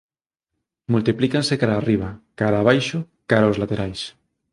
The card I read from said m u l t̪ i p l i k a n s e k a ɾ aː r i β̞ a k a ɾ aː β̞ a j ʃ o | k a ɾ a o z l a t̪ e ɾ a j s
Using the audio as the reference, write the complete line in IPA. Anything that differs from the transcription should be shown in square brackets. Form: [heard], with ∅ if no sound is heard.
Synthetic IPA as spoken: m u l t̪ i p l i k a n s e k a ɾ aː r i β̞ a k a ɾ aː β̞ a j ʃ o | k a ɾ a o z l a t̪ e ɾ a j s